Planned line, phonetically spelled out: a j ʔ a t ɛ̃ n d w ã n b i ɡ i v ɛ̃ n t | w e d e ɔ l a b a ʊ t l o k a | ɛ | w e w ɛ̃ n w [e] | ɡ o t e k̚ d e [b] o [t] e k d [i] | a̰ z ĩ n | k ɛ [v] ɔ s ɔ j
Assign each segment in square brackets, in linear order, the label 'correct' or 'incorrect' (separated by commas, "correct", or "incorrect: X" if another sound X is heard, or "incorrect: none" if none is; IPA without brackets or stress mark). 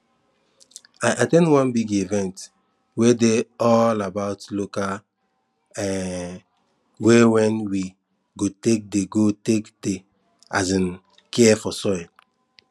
incorrect: i, incorrect: ɡ, correct, incorrect: e, incorrect: f